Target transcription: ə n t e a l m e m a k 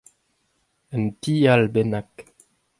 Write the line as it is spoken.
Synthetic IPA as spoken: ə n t i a l b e n a k